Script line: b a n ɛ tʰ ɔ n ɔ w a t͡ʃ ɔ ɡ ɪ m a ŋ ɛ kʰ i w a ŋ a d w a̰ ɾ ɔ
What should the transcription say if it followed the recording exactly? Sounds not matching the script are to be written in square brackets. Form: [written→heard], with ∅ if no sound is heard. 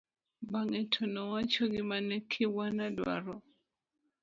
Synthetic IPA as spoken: b a [n→ŋ] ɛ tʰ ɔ n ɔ w a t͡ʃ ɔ ɡ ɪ m a [ŋ→n] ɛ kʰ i w a [ŋ→n] a d w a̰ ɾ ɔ